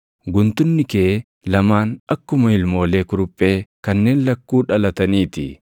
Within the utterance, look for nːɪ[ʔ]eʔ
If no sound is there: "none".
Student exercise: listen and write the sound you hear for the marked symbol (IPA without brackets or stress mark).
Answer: k